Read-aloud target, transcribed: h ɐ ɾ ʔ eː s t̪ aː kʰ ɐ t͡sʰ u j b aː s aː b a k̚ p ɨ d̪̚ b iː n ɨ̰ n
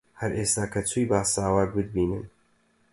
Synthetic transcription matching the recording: h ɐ ɾ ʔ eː s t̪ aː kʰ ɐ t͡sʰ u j b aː s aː w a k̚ b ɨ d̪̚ b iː n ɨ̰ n

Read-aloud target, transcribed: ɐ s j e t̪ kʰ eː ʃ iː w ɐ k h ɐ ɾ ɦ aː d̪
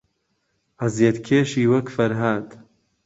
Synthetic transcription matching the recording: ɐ z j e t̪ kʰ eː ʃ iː w ɐ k f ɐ ɾ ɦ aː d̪

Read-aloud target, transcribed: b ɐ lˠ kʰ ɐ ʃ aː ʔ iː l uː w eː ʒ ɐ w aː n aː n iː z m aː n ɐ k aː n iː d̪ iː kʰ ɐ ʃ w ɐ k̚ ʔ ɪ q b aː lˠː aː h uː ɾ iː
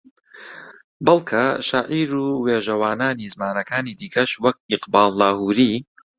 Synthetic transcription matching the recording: b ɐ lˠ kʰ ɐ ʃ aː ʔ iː ɾ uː w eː ʒ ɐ w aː n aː n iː z m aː n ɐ k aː n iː d̪ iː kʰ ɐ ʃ w ɐ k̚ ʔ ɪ q b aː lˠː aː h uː ɾ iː

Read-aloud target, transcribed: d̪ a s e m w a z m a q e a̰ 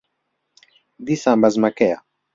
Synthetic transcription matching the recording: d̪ i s a m b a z m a k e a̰

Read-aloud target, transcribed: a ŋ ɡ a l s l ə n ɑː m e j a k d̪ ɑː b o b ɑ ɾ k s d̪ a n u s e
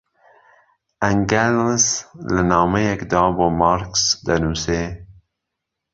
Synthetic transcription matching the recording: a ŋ ɡ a l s l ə n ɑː m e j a k d̪ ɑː b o m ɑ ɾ k s d̪ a n u s e

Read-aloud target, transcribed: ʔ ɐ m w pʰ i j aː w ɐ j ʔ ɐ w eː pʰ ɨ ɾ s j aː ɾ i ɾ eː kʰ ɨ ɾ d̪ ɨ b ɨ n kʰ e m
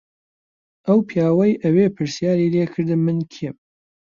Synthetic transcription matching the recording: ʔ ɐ w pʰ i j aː w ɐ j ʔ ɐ w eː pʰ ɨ ɾ s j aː ɾ i l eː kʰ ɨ ɾ d̪ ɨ m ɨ n kʰ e m

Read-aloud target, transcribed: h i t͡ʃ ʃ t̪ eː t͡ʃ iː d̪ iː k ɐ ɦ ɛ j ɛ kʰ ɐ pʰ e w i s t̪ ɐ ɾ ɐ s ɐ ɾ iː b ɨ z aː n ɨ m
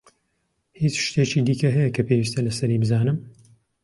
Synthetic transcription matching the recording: h i t͡ʃ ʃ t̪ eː t͡ʃ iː d̪ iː k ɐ ɦ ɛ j ɛ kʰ ɐ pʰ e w i s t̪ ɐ l ɐ s ɐ ɾ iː b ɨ z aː n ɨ m

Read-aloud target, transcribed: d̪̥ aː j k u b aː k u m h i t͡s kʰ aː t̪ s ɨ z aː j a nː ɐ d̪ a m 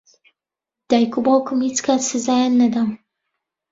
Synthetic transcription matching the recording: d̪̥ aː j k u b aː k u m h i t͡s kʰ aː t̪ s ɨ z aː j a nː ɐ d̪ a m

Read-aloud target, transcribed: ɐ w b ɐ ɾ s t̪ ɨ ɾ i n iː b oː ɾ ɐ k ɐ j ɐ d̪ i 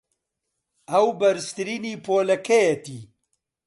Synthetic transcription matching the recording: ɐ w b ɐ ɾ s t̪ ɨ ɾ i n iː p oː l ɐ k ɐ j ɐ t̪ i

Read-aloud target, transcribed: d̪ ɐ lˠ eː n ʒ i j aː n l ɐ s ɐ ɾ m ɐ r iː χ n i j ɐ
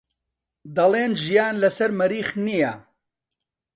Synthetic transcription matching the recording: d̪ ɐ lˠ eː n ʒ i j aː n l ɐ s ɐ ɾ m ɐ ɾ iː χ n i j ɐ

